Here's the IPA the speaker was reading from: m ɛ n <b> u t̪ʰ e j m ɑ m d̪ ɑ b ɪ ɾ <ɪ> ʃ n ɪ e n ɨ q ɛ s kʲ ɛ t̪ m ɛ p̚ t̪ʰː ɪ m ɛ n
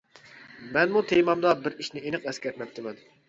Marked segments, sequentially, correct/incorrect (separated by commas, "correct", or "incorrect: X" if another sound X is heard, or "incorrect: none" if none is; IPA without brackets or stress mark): incorrect: m, incorrect: i